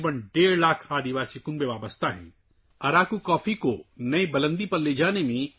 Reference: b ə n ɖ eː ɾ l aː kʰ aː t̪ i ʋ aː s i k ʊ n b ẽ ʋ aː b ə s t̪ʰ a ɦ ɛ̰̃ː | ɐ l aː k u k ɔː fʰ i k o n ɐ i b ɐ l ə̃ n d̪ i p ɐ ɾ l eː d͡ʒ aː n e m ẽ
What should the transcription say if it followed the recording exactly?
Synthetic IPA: b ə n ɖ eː ɾ l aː kʰ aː d̪ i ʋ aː s i k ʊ n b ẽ ʋ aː b ə s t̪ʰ a ɦ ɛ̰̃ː | ɐ ɾ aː k u k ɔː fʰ i k o n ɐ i b ɐ l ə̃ n d̪ i p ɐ ɾ l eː d͡ʒ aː n e m ẽ